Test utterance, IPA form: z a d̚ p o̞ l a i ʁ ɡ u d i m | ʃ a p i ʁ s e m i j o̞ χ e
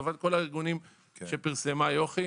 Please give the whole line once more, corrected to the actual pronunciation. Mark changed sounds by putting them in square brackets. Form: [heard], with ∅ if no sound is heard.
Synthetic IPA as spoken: [v] a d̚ [k] o̞ l a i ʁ ɡ u [n] i m | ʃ [e] p i ʁ s e m [a] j o̞ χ [i]